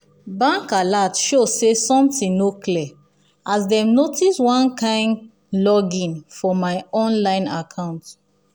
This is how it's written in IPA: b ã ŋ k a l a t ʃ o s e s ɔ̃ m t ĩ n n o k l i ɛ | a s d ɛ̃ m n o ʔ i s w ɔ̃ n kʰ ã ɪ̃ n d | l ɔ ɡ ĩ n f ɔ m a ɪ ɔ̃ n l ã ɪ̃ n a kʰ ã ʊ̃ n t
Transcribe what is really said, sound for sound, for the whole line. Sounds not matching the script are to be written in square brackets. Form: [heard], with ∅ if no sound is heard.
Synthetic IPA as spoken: b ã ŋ k a l a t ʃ o s e s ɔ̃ m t ĩ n n o k l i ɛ | a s d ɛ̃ m n o [t] i s w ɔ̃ n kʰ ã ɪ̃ n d | l ɔ ɡ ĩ n f ɔ m a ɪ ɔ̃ n l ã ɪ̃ n a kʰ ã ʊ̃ n t